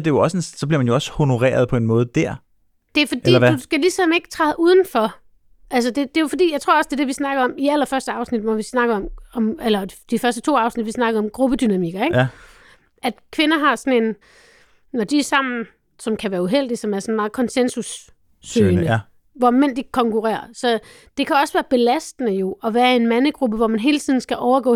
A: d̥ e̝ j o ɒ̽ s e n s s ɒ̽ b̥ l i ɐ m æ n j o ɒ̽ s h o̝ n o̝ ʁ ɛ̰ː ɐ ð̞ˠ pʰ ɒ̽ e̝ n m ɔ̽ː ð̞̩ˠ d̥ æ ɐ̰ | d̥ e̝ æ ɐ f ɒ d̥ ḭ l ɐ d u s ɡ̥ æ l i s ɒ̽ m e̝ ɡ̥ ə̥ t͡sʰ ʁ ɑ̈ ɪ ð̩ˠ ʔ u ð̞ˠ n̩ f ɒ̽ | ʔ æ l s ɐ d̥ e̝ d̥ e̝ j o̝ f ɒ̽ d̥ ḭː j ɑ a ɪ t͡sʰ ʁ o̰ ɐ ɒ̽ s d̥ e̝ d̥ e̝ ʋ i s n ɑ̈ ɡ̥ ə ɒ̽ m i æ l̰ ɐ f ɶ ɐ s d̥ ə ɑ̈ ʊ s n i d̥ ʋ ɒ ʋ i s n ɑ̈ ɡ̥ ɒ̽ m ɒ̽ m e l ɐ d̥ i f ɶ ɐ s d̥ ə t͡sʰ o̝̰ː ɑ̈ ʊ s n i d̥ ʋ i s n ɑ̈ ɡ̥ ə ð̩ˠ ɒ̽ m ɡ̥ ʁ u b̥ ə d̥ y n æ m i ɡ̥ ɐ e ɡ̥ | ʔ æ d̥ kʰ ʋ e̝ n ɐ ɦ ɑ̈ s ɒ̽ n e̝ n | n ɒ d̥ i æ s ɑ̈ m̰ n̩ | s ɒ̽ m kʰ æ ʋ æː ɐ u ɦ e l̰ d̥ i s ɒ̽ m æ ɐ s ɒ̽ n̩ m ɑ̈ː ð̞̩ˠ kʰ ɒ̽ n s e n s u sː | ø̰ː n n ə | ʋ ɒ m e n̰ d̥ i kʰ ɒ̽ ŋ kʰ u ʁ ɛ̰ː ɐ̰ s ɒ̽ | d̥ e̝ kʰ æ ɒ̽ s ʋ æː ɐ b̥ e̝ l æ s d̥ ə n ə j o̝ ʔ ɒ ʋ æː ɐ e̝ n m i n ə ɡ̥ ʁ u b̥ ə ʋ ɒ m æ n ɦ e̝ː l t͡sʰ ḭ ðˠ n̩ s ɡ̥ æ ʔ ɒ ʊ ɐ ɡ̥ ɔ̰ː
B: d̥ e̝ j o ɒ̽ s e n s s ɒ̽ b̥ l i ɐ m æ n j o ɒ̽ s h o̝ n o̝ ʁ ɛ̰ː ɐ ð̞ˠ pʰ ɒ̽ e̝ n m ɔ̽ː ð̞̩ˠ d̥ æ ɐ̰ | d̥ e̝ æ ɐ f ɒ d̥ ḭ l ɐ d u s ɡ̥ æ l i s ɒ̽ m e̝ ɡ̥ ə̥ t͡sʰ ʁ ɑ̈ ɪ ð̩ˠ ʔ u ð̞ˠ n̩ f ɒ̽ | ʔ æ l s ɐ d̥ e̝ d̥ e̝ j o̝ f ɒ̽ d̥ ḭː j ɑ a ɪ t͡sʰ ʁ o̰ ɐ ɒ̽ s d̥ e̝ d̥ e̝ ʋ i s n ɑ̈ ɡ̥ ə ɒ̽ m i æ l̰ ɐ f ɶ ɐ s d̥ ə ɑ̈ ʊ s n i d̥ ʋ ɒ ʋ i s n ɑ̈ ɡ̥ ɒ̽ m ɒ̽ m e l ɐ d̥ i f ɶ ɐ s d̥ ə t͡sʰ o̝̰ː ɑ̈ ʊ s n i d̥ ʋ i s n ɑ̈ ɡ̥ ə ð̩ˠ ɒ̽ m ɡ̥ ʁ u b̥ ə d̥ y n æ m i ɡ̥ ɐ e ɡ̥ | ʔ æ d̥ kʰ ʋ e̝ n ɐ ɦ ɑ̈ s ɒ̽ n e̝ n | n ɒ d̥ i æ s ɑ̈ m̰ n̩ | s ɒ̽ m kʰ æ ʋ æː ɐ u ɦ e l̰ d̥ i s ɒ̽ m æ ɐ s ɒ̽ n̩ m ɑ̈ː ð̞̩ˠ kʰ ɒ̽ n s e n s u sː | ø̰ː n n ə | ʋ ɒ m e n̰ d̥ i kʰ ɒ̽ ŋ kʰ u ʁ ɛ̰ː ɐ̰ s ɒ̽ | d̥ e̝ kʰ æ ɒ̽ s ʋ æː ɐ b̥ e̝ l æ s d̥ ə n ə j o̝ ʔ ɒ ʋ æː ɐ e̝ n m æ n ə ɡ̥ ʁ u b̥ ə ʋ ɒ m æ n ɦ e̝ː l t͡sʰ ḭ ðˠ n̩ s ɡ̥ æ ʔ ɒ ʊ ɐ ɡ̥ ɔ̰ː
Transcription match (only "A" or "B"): B